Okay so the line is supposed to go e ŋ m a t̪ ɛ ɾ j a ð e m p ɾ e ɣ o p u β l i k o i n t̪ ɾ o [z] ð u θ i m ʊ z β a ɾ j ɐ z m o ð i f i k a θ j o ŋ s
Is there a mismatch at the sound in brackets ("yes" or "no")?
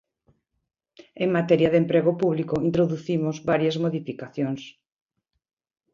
yes